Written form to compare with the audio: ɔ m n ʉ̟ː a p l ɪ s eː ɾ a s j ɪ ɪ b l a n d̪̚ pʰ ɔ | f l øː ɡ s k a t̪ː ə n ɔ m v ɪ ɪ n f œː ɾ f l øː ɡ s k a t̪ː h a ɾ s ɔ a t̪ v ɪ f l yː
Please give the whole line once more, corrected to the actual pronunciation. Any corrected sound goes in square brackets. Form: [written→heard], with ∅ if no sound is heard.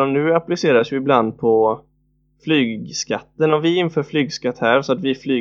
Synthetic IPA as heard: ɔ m n ʉ̟ː a p l ɪ s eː ɾ a s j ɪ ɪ b l a n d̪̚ pʰ ɔ | f l [øː→yː] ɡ s k a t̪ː ə n ɔ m v ɪ ɪ n f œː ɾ f l [øː→yː] ɡ s k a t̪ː h [a→æ] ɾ s ɔ a t̪ v ɪ f l yː